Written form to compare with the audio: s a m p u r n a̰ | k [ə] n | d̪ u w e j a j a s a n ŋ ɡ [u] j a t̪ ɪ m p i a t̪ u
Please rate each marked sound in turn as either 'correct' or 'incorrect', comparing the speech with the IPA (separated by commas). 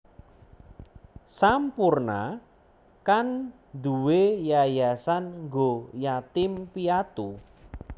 incorrect, incorrect